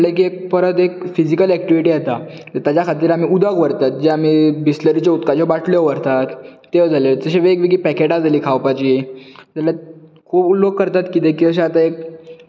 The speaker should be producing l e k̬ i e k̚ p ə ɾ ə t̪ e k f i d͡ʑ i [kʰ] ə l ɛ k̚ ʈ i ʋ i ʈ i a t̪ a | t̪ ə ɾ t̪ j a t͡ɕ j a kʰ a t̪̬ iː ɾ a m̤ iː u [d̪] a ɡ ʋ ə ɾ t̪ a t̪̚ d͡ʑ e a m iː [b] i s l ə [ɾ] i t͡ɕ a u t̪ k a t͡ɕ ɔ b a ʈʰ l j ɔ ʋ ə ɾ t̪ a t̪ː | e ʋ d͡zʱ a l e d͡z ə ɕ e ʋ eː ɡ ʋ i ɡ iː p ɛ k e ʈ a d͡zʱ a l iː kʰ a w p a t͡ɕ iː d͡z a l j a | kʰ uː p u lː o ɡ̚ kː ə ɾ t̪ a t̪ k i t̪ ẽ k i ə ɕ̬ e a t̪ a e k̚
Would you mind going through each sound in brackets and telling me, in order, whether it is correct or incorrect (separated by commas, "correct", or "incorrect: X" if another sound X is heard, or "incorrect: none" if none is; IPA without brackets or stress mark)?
incorrect: k, correct, correct, correct